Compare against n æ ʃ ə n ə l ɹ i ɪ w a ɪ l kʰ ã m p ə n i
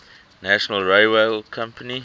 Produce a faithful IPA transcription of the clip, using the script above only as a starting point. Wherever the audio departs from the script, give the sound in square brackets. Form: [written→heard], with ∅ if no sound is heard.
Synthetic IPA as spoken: n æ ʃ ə n ə l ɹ [i→e] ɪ w [a→e] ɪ l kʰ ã m p ə n i